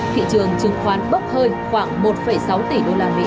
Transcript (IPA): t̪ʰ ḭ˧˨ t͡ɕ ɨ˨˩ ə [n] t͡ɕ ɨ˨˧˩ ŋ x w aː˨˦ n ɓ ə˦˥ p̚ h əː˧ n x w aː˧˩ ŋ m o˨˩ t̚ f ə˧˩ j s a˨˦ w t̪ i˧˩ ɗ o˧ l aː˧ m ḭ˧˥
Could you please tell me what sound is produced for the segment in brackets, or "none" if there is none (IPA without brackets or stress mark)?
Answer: ŋ